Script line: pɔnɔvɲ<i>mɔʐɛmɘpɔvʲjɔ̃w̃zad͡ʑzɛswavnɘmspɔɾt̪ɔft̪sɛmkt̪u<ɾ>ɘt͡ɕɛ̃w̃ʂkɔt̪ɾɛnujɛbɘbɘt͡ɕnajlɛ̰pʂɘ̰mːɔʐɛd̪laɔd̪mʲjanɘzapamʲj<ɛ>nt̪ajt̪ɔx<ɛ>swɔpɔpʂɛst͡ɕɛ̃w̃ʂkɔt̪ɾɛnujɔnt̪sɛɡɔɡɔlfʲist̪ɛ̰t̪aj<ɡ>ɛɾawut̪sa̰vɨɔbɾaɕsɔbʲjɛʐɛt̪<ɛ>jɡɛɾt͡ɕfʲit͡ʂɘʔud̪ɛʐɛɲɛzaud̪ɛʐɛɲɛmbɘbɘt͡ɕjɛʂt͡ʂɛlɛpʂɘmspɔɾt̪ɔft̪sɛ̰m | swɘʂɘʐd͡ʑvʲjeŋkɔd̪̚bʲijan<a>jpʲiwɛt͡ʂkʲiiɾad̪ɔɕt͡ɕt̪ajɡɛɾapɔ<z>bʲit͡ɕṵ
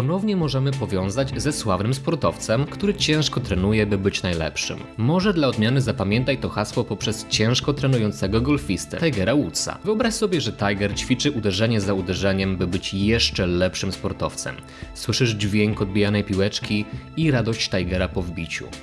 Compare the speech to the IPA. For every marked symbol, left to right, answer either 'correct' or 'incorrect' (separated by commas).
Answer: incorrect, correct, correct, incorrect, correct, incorrect, incorrect, incorrect